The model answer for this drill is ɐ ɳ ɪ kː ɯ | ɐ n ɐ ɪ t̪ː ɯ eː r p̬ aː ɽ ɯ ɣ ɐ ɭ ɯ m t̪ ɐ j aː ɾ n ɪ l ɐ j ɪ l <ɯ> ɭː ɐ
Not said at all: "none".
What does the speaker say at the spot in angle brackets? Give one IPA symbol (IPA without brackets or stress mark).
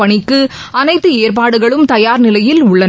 ʊ